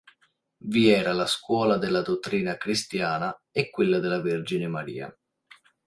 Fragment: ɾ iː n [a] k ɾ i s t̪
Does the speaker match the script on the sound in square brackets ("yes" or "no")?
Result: yes